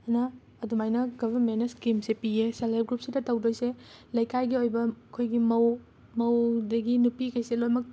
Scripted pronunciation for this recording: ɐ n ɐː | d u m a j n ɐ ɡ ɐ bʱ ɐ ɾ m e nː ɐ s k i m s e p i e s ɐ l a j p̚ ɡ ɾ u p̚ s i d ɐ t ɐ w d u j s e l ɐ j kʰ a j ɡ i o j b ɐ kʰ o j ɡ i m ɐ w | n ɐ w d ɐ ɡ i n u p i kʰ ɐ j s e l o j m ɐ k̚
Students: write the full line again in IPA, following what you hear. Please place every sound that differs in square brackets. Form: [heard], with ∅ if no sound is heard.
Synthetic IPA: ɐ n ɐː | d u m a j n ɐ ɡ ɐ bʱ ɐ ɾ m e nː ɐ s k i m s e p i e s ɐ l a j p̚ ɡ ɾ u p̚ s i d ɐ t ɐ w d [o] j s e l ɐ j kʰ a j ɡ i o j b ɐ kʰ o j ɡ i m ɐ w | [m] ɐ w d ɐ ɡ i n u p i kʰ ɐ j s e l o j m ɐ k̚